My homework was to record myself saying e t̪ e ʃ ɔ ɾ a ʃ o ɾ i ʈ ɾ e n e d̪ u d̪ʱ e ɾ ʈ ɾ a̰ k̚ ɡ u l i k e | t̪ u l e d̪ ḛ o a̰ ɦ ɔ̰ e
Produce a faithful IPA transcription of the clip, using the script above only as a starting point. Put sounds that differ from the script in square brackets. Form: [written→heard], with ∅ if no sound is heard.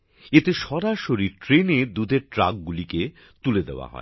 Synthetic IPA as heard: e t̪ e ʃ ɔ ɾ a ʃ o ɾ i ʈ ɾ e n e d̪ u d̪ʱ e ɾ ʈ ɾ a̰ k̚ ɡ u l i k e | t̪ u l e d̪ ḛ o a̰ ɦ ɔ̰ e